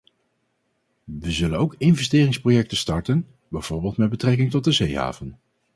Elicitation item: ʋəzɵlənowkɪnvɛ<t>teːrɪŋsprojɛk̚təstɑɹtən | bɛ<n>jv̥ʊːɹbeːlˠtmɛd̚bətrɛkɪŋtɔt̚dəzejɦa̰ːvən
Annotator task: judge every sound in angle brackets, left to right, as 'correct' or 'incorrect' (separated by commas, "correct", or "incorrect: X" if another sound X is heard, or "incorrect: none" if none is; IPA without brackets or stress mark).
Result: incorrect: s, incorrect: none